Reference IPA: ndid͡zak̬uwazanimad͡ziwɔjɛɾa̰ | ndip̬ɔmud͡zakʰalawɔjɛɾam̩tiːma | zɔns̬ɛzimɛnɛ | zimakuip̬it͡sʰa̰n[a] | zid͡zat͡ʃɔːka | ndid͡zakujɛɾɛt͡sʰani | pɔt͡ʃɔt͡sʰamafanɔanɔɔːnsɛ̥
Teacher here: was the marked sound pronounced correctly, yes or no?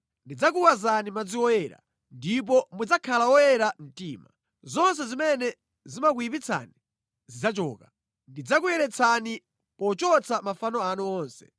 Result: no